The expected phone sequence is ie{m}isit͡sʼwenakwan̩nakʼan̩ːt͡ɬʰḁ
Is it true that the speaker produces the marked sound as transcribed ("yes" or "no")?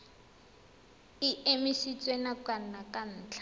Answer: yes